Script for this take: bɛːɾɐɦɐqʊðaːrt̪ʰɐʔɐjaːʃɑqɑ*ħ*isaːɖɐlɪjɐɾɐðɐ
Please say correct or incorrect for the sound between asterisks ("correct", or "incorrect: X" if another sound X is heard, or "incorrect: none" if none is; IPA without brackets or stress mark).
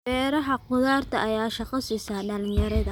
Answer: incorrect: s